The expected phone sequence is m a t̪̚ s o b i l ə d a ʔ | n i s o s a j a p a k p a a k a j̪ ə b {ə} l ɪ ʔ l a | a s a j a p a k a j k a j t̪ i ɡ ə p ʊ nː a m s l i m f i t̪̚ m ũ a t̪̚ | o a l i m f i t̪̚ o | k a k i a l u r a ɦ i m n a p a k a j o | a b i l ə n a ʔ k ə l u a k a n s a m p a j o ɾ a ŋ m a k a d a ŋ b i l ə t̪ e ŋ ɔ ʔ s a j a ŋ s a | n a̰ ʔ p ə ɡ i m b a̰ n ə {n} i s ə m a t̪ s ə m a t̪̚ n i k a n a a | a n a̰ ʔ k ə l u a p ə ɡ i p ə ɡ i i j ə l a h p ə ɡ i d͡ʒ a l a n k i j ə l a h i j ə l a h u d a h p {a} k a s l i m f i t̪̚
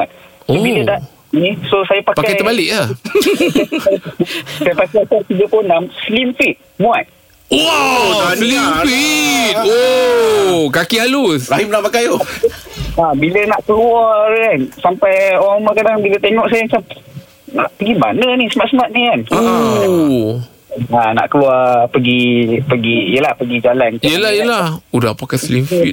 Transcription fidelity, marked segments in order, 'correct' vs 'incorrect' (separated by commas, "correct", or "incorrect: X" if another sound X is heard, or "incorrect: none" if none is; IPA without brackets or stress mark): incorrect: a, correct, correct